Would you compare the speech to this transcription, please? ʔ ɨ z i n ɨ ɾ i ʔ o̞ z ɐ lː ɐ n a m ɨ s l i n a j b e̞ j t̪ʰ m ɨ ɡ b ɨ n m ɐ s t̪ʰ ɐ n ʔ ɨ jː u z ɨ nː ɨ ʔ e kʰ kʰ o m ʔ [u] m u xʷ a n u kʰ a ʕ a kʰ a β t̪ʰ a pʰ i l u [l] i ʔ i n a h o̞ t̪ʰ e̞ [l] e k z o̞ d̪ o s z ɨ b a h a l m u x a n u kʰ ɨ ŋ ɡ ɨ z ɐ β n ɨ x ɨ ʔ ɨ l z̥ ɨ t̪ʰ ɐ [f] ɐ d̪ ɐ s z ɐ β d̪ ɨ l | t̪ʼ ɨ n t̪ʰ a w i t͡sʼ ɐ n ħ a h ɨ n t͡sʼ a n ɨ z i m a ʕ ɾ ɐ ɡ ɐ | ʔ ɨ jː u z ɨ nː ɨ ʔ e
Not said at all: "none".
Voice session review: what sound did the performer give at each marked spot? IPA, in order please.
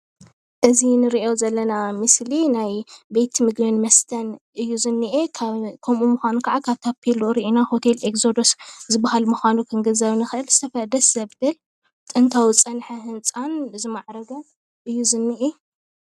u, ɾ, l, f

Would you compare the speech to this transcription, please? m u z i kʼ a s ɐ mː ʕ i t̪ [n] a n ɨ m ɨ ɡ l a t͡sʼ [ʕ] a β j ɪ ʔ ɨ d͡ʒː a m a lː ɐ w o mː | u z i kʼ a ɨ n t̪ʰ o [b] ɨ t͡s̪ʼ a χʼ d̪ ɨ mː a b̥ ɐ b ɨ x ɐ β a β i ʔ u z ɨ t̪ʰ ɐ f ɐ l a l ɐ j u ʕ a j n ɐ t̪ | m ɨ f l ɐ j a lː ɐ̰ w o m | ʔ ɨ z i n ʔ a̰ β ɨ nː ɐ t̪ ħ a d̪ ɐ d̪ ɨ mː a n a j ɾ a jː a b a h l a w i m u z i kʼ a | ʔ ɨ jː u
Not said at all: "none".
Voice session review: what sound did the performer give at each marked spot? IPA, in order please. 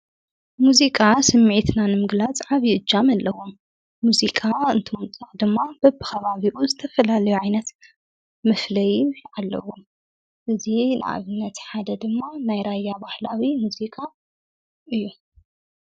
n, ʕ, m

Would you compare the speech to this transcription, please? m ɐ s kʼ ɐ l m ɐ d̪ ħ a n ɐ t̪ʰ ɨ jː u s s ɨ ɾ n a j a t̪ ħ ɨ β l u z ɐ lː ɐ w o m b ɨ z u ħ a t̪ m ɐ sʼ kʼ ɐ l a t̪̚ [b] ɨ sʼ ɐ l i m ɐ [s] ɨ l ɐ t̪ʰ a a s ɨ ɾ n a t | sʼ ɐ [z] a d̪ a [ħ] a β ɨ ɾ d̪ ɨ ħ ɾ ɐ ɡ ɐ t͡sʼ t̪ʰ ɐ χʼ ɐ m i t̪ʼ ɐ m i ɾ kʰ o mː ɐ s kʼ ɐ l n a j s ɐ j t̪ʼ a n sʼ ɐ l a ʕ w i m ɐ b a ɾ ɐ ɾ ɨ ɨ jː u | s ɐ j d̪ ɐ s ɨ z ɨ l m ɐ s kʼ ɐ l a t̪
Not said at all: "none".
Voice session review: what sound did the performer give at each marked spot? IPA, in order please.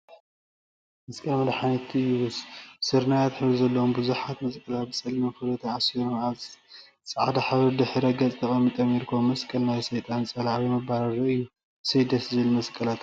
b, f, ʕ, ħ

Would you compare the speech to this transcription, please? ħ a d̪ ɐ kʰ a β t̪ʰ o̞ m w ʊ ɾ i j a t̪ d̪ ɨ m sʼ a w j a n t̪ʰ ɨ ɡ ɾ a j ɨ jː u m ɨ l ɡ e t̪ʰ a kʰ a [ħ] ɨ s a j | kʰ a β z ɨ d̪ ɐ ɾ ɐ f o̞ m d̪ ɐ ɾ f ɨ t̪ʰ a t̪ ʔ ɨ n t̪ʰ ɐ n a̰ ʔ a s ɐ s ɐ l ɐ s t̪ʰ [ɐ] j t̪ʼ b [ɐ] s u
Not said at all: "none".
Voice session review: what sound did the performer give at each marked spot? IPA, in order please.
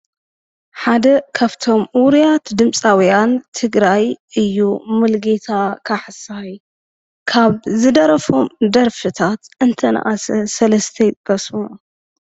ħ, ɐ, ɐ

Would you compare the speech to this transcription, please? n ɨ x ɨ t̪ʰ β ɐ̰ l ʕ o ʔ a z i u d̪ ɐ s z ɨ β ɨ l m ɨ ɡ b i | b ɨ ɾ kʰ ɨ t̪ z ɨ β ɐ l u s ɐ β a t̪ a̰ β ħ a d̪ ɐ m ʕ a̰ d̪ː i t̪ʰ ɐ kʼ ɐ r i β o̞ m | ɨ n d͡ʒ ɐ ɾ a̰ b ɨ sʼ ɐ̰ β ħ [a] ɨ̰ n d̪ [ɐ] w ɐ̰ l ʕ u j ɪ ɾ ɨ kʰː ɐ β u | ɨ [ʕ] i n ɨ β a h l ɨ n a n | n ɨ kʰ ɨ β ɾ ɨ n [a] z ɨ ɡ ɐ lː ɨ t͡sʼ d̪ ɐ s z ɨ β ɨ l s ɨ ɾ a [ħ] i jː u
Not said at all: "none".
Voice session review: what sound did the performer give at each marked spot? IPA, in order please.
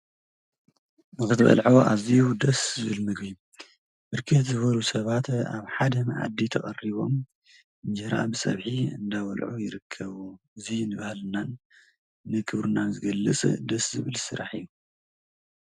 i, a, z, a, ħ

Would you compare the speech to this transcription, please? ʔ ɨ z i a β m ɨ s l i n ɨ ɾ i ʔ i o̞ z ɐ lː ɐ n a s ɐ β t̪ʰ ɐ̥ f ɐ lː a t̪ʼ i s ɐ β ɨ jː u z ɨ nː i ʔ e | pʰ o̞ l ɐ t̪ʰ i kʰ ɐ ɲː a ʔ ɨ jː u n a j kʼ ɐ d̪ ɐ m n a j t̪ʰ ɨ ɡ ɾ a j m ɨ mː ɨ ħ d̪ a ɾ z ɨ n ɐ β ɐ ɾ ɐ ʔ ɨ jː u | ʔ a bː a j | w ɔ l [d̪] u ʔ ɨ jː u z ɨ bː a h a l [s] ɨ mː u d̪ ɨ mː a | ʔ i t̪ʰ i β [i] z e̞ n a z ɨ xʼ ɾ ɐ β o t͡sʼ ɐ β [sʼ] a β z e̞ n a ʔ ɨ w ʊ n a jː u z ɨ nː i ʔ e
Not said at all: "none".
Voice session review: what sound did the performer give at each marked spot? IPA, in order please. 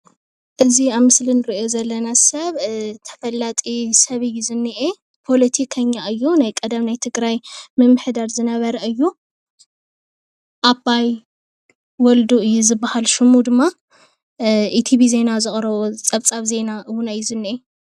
d̪, ʃ, i, t͡sʼ

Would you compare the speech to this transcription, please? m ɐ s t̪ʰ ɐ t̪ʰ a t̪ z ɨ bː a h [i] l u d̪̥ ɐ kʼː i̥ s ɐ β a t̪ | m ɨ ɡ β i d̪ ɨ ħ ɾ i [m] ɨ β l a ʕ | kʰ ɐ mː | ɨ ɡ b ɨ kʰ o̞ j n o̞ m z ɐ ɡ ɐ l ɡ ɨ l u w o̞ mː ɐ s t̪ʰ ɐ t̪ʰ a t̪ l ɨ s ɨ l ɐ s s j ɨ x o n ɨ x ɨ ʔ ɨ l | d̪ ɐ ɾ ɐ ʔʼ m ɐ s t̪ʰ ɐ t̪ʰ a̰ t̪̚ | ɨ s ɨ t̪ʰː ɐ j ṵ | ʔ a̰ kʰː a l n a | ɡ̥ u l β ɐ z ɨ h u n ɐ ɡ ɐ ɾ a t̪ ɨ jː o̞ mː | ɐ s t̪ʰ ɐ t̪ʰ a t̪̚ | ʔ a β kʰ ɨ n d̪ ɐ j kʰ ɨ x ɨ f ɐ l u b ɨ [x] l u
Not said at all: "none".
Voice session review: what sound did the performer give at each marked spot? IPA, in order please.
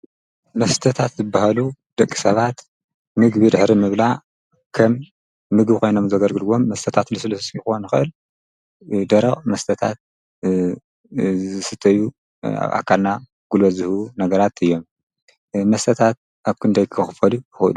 a, m, x

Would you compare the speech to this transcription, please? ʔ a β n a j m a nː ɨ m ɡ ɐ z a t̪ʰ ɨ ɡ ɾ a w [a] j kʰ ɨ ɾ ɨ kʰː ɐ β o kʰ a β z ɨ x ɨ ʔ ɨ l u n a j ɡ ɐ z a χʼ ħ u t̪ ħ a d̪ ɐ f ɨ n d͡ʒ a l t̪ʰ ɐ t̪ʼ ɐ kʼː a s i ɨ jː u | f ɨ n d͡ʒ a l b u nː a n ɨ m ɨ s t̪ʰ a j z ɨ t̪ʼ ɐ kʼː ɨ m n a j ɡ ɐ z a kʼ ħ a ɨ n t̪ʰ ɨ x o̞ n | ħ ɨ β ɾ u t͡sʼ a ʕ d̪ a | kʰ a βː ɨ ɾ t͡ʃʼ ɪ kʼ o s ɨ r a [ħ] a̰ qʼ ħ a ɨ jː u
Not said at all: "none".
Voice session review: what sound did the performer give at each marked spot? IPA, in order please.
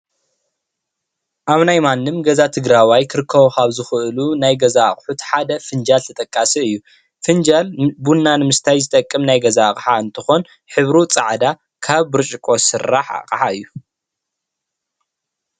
a, ħ

